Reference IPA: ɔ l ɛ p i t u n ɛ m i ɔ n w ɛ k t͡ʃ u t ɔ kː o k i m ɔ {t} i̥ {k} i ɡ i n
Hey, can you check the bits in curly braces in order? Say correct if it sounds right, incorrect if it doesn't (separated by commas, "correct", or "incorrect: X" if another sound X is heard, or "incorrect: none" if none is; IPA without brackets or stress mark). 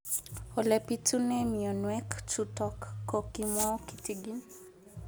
incorrect: k, incorrect: t